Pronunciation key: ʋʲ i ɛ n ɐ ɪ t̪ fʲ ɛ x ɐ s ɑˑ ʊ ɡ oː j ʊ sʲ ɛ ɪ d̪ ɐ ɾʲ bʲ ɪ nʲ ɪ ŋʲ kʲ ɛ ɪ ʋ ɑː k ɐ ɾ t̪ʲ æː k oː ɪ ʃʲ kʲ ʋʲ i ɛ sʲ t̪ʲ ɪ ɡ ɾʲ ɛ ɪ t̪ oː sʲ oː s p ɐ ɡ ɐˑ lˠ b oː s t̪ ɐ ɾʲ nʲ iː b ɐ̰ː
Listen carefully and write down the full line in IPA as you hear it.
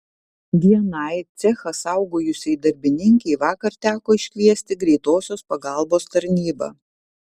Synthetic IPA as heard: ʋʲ i ɛ n ɐ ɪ t̪ sʲ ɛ x ɐ s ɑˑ ʊ ɡ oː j ʊ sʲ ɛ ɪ d̪ ɐ ɾʲ bʲ ɪ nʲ ɪ ŋʲ kʲ ɛ ɪ ʋ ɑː k ɐ ɾ t̪ʲ æː k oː ɪ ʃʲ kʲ ʋʲ i ɛ sʲ t̪ʲ ɪ ɡ ɾʲ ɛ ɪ t̪ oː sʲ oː s p ɐ ɡ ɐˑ lˠ b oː s t̪ ɐ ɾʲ nʲ iː b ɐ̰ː

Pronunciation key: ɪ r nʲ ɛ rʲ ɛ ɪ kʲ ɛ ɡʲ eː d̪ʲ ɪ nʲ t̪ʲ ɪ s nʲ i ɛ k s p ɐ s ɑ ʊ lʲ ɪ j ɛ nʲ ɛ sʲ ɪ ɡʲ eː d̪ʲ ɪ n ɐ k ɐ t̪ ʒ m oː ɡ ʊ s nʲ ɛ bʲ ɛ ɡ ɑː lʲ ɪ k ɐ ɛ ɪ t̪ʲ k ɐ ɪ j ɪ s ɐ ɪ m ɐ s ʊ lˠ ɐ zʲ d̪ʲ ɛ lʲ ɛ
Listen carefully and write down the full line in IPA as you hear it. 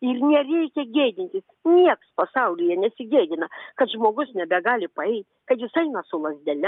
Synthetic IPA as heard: ɪ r nʲ ɛ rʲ ɛ ɪ kʲ ɛ ɡʲ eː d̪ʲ ɪ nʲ t̪ʲ ɪ s nʲ i ɛ k s p ɐ s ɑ ʊ lʲ ɪ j ɛ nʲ ɛ sʲ ɪ ɡʲ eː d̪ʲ ɪ n ɐ k ɐ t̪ ʒ m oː ɡ ʊ s nʲ ɛ bʲ ɛ ɡ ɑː lʲ ɪ p ɐ ɛ ɪ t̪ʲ k ɐ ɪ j ɪ s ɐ ɪ n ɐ s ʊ lˠ ɐ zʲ d̪ʲ ɛ lʲ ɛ

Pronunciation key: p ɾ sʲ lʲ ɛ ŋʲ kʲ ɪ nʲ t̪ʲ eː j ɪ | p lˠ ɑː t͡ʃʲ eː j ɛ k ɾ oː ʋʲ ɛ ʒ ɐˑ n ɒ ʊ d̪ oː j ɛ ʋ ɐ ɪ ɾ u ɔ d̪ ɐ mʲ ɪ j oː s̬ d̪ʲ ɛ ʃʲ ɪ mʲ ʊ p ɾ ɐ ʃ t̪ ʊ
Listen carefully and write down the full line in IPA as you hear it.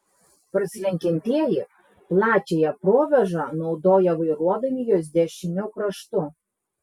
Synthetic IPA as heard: p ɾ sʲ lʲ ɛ ŋʲ kʲ ɪ nʲ t̪ʲ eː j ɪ | p lˠ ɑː t͡ʃʲ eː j ɛ p ɾ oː ʋʲ ɛ ʒ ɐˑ n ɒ ʊ d̪ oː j ɛ ʋ ɐ ɪ ɾ u ɔ d̪ ɐ mʲ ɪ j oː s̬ d̪ʲ ɛ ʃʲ ɪ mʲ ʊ k ɾ ɐ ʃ t̪ ʊ

